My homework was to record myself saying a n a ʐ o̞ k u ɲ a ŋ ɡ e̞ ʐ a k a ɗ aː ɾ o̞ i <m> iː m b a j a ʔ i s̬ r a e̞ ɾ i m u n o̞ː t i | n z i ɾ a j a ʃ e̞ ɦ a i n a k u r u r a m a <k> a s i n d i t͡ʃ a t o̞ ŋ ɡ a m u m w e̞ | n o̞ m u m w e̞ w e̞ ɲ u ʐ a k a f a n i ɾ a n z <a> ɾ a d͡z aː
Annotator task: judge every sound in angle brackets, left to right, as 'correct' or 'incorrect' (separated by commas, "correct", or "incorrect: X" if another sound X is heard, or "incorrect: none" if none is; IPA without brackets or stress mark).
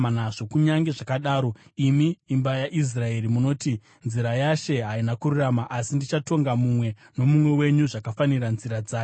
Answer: correct, incorrect: ʔ, incorrect: i